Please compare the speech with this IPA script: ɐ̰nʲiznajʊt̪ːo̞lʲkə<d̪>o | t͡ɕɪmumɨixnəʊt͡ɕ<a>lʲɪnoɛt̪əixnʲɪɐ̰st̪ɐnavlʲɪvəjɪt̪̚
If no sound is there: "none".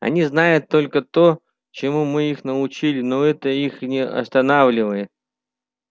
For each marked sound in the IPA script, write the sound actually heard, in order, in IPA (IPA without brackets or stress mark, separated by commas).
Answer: t̪, i